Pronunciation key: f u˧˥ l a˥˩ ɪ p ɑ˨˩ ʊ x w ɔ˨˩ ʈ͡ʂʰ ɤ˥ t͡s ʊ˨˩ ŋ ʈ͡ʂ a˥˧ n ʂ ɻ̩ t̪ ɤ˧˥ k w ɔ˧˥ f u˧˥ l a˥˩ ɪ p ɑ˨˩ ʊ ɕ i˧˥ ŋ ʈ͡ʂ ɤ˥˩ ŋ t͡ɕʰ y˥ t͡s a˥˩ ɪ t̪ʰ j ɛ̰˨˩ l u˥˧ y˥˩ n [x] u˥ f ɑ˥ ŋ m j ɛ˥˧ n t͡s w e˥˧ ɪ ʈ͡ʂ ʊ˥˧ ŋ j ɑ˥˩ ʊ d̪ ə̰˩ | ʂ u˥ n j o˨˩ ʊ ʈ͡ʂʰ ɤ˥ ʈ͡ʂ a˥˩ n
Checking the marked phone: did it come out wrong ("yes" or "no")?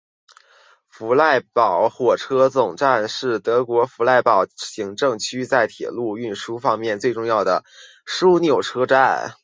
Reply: yes